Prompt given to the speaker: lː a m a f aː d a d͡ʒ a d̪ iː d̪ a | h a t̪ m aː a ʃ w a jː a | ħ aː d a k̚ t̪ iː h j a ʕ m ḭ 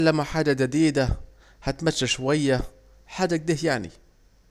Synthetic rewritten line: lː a m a ħ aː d a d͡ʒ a d̪ iː d̪ a | h a t̪ m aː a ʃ w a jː a | ħ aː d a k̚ d̪ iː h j a ʕ n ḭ